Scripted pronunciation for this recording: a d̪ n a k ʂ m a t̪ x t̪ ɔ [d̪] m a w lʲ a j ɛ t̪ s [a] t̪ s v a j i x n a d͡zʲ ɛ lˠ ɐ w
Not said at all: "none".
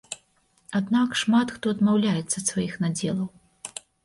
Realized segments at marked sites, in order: d̪, ɐ

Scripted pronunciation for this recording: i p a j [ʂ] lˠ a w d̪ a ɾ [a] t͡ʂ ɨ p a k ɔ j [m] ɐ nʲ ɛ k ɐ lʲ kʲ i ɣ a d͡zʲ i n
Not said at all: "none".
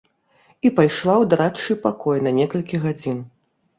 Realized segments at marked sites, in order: ʂ, a, n

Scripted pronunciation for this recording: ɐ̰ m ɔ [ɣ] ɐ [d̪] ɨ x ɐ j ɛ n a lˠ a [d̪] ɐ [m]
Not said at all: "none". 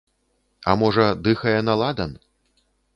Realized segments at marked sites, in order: ʐ, d̪, d̪, n

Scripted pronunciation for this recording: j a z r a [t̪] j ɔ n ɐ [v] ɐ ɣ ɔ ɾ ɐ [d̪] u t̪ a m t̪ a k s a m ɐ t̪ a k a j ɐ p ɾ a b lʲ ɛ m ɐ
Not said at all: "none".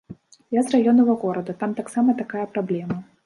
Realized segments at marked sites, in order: none, v, d̪

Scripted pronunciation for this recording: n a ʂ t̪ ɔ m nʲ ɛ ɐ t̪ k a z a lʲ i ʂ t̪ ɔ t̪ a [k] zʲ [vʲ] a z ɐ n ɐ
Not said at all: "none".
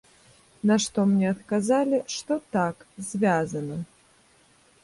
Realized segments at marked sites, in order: k, vʲ

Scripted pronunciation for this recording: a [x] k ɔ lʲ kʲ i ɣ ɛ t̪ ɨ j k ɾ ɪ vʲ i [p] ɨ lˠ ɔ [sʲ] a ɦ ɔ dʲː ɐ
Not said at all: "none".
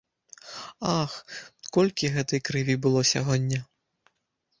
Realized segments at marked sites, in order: x, b, sʲ

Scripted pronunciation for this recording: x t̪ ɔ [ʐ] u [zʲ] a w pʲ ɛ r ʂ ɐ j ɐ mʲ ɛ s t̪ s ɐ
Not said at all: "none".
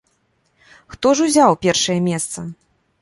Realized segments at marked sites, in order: ʐ, zʲ

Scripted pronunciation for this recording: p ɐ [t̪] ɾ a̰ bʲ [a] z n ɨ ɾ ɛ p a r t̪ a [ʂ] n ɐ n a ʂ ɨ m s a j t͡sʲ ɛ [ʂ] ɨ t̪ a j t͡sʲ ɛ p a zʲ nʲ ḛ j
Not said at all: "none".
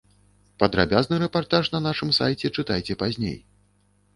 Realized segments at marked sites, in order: d̪, a, ʂ, t͡ʂ

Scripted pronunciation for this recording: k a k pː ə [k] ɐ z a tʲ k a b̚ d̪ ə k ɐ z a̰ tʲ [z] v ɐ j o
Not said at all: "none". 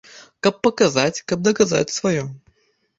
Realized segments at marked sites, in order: k, s

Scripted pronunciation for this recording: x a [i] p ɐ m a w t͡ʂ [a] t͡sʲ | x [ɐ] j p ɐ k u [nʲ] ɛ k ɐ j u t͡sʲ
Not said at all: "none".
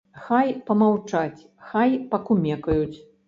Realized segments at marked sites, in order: j, a, a, mʲ

